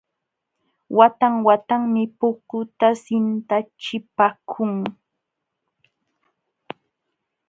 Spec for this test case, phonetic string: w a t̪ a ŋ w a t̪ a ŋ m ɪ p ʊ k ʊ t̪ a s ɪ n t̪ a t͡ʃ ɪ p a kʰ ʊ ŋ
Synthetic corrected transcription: w a t̪ a ŋ w a t̪ a ŋ m ɪ p ʊ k ʊ t̪ a s ɪ n t̪ a t͡ʃ ɪ p a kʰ ʊ ŋ